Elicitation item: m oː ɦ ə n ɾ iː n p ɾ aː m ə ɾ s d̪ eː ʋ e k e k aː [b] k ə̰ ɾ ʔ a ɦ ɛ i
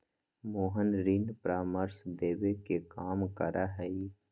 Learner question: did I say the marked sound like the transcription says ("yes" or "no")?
no